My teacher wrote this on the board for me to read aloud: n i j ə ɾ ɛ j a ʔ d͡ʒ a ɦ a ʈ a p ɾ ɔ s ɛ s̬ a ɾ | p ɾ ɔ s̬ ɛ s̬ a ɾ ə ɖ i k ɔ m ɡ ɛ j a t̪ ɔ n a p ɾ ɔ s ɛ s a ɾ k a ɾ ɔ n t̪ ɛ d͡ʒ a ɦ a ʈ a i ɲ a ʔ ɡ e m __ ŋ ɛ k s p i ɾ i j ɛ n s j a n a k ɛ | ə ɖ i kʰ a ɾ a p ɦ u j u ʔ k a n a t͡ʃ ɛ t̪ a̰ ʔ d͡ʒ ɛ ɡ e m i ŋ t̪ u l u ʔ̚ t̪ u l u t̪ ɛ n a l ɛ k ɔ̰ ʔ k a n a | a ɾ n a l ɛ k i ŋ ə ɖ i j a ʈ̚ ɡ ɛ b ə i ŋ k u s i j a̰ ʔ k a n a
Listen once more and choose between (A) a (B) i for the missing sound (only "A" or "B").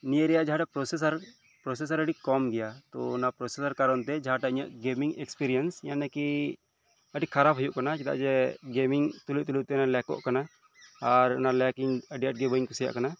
B